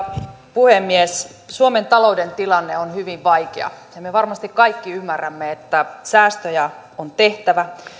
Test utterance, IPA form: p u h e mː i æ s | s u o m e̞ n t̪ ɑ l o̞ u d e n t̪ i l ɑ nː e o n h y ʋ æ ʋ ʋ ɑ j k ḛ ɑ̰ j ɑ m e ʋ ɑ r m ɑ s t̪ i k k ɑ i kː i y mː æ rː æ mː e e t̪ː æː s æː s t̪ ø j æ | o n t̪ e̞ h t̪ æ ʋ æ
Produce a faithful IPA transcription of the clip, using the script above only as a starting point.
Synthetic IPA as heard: p u h e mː i e s | s u o m e̞ n t̪ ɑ l o̞ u d e n t̪ i l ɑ nː e o n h y ʋ i ʋ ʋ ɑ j k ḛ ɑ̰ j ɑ m e ʋ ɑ r m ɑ s t̪ i k k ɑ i kː i y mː æ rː æ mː e e t̪ː æ s æː s t̪ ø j æ | o n t̪ e̞ h t̪ æ ʋ æ